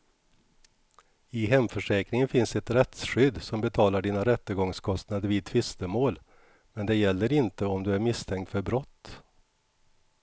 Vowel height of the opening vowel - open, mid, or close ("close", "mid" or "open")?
close